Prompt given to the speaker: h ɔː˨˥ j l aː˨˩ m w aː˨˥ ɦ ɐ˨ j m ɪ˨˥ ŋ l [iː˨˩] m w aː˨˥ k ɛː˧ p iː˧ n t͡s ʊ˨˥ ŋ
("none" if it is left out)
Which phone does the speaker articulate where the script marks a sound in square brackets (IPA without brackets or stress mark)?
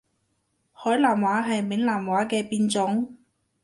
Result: aː˨˩